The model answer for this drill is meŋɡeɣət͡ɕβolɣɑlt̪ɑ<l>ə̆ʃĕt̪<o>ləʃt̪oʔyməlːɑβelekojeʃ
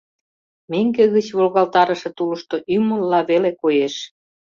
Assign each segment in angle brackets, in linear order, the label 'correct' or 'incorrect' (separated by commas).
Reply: incorrect, incorrect